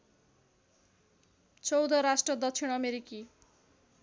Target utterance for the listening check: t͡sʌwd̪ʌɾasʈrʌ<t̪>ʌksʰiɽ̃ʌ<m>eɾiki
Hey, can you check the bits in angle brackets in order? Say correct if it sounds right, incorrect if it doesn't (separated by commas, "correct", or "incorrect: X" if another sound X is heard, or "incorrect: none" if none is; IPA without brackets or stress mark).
incorrect: d̪, correct